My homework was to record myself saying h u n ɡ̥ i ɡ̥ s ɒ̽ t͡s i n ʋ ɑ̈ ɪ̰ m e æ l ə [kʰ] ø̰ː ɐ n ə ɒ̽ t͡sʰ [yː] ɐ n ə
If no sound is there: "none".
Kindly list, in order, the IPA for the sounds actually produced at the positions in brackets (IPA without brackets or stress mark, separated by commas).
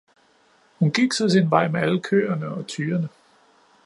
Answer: kʰ, yː